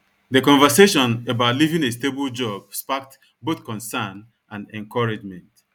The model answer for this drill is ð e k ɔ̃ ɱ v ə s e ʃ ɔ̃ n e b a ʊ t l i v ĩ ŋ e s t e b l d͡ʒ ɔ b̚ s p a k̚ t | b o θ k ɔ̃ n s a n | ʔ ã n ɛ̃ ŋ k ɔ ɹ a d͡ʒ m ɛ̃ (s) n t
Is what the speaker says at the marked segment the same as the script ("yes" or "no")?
no